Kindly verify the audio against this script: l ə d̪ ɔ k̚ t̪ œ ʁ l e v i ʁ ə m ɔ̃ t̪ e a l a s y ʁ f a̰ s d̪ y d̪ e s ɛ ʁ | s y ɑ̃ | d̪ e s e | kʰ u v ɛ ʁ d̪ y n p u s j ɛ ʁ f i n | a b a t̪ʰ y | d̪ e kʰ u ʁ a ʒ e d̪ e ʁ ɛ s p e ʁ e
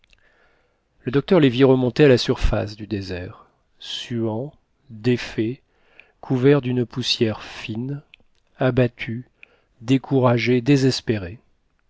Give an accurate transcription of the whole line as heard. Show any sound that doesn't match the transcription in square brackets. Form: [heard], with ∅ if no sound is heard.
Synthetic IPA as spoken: l ə d̪ ɔ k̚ t̪ œ ʁ l e v i ʁ ə m ɔ̃ t̪ e a l a s y ʁ f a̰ s d̪ y d̪ e [z] ɛ ʁ | s y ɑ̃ | d̪ e [f] e | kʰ u v ɛ ʁ d̪ y n p u s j ɛ ʁ f i n | a b a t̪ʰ y | d̪ e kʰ u ʁ a ʒ e d̪ e [z] ɛ s p e ʁ e